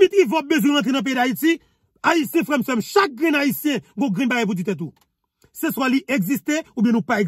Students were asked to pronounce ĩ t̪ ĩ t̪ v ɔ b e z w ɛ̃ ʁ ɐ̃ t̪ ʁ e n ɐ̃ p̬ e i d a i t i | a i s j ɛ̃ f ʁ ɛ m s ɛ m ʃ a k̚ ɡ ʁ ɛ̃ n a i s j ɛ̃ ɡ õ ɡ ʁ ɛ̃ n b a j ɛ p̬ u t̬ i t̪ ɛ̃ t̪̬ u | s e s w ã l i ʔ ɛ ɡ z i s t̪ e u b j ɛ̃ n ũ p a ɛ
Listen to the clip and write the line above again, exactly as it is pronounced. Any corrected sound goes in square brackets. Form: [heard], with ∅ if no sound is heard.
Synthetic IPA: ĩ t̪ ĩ [∅] v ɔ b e z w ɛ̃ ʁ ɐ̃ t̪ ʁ e n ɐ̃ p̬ e i d a i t i | a i s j ɛ̃ f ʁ ɛ m s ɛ m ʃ a k̚ ɡ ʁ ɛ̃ n a i s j ɛ̃ ɡ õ ɡ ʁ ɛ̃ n b a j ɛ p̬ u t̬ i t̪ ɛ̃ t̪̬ u | s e s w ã l i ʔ ɛ ɡ z i s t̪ e u b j ɛ̃ n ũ p a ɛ